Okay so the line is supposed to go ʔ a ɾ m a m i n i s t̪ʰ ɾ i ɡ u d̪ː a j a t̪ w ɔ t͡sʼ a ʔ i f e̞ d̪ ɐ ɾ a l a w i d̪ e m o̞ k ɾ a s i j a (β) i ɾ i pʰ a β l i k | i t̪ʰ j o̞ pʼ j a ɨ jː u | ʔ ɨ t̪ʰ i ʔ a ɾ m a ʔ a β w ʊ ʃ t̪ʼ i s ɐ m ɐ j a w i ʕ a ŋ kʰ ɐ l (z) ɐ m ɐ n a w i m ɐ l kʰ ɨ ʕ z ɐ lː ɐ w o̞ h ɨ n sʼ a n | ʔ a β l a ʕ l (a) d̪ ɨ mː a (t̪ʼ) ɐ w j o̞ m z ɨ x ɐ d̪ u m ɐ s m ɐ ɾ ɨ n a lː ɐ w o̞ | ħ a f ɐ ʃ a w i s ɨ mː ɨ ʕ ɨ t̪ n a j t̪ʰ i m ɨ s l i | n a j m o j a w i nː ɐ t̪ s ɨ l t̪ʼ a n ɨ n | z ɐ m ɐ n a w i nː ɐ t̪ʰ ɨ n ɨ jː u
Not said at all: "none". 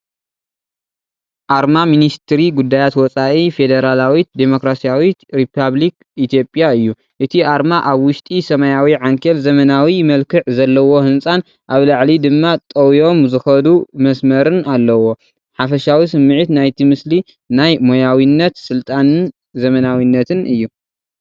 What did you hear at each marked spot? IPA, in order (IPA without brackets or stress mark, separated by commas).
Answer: w, z, i, t̪ʼ